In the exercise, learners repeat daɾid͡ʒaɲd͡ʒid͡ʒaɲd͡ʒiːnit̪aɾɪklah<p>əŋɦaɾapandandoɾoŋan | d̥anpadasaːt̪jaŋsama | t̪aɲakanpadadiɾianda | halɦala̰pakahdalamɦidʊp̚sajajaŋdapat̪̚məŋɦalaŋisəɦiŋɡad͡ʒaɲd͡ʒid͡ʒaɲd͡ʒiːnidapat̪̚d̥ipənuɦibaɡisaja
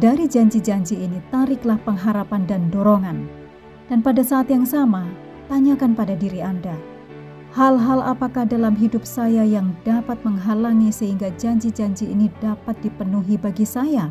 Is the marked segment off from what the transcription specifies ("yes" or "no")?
no